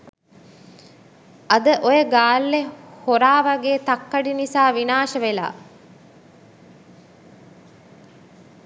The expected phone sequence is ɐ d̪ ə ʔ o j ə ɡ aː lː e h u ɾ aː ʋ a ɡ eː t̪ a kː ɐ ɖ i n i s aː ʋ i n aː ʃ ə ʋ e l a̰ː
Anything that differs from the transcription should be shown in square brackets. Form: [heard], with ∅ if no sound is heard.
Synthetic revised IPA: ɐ d̪ ə ʔ o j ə ɡ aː lː e h [o] ɾ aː ʋ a ɡ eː t̪ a kː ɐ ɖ i n i s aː ʋ i n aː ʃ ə ʋ e l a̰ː